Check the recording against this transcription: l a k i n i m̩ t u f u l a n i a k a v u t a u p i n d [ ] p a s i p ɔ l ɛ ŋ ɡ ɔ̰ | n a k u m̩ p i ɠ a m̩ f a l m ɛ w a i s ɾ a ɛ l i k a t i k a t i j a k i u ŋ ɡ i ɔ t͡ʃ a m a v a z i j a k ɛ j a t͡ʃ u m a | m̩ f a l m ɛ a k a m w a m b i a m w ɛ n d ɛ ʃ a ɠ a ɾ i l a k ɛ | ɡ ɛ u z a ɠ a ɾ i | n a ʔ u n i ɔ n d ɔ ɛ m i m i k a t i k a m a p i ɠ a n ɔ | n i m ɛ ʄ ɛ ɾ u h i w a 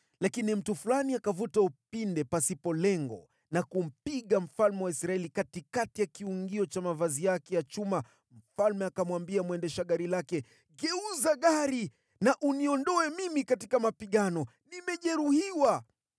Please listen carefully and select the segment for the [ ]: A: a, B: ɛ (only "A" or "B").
B